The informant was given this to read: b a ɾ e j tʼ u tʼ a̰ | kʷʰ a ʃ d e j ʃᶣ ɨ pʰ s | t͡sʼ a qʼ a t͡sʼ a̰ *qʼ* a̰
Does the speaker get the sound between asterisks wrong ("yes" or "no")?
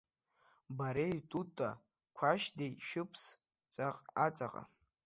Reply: no